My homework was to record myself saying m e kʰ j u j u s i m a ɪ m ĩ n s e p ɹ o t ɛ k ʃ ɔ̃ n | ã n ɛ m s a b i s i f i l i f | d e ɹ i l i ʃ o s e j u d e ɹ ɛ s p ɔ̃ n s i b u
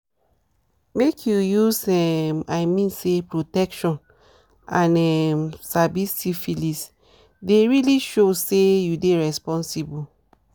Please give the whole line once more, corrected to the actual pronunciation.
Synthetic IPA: m e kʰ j u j u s ɛ m a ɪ m ĩ n s e p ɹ o t ɛ k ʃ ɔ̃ n | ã n ɛ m s a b i s i f i l i s | d e ɹ i l i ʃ o s e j u d e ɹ ɛ s p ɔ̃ n s i b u